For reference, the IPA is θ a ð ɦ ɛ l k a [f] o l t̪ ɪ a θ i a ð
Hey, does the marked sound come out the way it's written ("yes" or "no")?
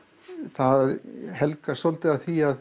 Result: no